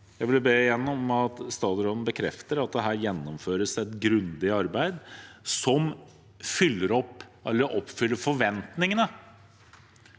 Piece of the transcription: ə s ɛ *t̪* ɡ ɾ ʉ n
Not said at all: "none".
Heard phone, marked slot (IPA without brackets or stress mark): t̪